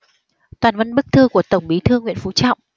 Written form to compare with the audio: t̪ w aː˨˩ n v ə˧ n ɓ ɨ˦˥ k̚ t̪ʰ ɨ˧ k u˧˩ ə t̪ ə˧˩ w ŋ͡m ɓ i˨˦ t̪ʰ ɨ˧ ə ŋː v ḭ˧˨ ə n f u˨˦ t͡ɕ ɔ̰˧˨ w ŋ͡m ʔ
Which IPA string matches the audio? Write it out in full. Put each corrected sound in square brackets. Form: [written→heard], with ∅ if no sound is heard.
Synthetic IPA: t̪ w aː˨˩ n v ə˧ n ɓ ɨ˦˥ k̚ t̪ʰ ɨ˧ k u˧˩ ə t̪ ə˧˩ w ŋ͡m ɓ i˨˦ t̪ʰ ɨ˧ ə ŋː [v→w] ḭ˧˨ ə n f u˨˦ t͡ɕ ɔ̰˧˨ w ŋ͡m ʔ